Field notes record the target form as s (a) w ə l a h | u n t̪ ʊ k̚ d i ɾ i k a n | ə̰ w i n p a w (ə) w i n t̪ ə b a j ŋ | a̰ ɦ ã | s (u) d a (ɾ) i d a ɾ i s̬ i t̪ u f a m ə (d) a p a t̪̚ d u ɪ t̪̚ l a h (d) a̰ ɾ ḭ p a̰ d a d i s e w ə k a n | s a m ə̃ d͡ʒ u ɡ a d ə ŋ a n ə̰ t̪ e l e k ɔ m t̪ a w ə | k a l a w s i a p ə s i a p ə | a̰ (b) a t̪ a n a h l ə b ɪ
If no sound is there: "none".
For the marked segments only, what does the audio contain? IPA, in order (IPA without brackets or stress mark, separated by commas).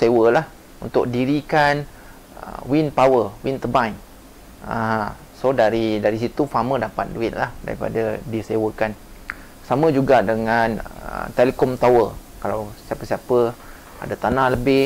e, ə, o, ɾ, d, d, d